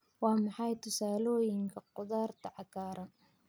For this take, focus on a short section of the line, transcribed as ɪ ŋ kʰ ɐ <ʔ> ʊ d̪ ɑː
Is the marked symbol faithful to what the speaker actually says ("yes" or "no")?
no